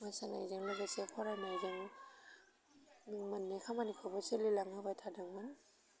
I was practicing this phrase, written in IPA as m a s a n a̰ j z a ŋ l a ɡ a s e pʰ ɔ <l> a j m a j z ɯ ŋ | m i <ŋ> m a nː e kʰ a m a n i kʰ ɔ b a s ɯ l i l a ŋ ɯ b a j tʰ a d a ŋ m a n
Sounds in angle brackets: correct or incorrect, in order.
incorrect: ɾ, correct

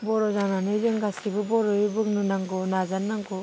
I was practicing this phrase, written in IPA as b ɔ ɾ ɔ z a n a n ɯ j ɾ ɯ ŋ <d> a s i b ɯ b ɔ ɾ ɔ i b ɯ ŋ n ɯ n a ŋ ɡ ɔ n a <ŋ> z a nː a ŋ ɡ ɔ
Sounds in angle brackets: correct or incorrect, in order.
incorrect: ɡ, incorrect: none

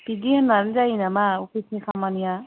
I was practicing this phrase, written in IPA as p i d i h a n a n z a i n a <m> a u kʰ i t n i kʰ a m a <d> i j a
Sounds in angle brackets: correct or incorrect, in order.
correct, incorrect: n

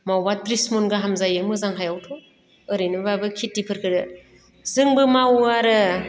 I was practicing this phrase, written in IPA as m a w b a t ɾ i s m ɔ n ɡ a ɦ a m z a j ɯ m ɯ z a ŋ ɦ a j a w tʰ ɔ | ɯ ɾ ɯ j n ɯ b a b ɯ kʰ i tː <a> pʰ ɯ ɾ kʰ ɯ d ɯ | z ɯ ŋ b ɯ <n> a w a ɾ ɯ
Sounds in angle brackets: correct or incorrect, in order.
incorrect: i, incorrect: m

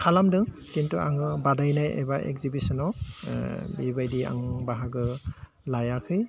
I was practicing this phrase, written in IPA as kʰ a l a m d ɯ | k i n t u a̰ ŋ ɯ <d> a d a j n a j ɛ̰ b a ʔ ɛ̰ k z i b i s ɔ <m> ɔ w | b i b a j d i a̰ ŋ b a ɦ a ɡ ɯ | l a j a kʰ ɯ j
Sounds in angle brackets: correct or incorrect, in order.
incorrect: b, incorrect: n

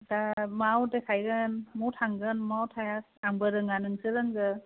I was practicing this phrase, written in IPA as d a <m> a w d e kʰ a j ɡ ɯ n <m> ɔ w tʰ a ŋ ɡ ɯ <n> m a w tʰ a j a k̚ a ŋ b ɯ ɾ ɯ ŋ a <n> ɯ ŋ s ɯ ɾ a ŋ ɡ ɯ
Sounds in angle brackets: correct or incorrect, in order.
correct, correct, correct, correct

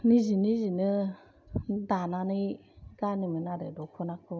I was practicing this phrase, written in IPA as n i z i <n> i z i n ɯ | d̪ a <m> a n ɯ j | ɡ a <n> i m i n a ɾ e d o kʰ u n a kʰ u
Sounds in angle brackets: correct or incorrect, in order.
correct, incorrect: n, correct

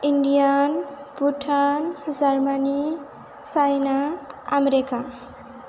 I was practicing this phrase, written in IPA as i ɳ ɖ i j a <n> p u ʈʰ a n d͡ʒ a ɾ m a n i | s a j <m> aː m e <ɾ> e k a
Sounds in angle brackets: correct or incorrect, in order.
correct, incorrect: n, correct

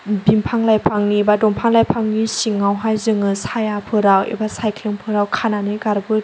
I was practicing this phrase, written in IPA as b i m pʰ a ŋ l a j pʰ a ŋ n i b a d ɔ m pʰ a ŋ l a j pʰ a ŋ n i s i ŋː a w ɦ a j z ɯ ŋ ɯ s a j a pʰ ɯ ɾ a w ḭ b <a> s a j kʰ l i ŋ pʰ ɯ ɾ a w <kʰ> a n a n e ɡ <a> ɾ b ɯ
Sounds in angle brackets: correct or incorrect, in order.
correct, correct, correct

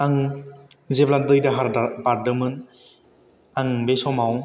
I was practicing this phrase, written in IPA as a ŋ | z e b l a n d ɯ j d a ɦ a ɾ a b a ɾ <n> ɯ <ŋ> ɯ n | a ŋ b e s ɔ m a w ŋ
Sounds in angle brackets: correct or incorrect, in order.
incorrect: d, incorrect: m

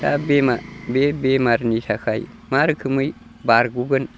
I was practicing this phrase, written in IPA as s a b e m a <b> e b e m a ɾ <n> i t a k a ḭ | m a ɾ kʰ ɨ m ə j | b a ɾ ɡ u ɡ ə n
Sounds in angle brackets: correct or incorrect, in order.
correct, correct

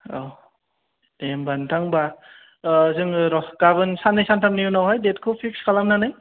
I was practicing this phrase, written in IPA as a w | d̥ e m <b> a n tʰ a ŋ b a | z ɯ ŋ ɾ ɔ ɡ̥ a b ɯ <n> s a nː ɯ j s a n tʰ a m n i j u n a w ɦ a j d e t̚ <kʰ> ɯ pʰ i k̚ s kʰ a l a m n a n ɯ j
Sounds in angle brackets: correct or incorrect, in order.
correct, correct, correct

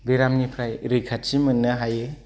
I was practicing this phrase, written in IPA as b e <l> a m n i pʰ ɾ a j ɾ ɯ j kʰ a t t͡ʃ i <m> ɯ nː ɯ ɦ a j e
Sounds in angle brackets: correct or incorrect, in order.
incorrect: ɾ, correct

